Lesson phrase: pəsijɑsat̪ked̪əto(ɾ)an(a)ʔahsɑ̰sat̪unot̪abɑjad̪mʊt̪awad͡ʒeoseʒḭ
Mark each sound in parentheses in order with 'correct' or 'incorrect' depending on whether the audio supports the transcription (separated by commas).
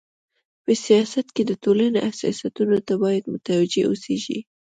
incorrect, incorrect